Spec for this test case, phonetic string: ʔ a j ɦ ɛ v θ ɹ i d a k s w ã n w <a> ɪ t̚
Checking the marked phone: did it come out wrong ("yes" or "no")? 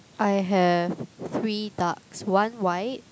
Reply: no